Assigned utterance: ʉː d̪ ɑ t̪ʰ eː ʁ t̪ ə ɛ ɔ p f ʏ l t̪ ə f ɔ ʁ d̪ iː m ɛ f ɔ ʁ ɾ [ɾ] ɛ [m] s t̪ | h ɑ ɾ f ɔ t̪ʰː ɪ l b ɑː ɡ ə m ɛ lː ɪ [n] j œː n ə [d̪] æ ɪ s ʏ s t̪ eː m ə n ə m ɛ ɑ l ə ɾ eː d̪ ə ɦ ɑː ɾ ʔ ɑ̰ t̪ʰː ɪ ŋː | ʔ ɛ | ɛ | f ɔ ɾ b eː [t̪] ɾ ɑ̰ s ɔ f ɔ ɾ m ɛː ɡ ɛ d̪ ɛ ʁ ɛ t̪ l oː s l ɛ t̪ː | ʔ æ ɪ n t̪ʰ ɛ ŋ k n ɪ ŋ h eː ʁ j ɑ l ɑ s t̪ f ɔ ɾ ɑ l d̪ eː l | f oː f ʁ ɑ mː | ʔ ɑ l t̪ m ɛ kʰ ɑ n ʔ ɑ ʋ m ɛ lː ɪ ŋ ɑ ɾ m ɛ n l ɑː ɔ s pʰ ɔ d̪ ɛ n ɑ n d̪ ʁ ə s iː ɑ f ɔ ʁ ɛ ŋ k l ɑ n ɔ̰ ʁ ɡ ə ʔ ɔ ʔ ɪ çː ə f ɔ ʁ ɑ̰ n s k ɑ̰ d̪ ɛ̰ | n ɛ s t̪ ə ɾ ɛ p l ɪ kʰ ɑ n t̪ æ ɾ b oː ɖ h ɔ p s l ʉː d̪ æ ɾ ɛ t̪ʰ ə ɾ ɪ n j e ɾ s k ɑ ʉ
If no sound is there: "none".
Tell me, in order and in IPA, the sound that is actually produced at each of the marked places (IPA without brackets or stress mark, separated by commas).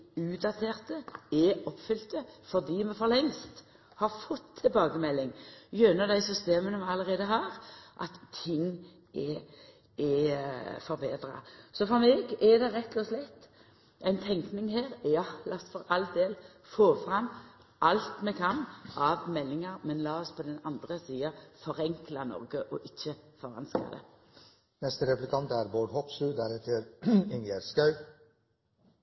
l, ŋ, ŋ, d̪, d̪